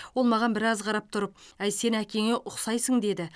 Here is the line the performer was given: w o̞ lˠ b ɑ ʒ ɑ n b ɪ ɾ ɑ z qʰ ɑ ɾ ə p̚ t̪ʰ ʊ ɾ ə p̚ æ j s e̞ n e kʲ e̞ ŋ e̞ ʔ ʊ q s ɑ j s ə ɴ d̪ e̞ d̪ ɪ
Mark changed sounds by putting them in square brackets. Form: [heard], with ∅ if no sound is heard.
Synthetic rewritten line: w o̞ lˠ [m] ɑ [ʁ] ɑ n b ɪ ɾ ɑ z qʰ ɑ ɾ [ɑ] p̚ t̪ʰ ʊ ɾ ə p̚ æ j s e̞ n [æ] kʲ e̞ ŋ e̞ ʔ ʊ q s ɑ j s ə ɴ d̪ e̞ d̪ ɪ